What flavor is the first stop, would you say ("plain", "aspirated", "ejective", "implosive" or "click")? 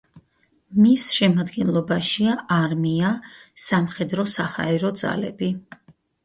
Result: plain